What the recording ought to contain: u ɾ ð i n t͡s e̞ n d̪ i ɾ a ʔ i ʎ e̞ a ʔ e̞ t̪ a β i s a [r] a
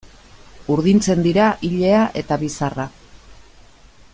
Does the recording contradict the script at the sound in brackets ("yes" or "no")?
no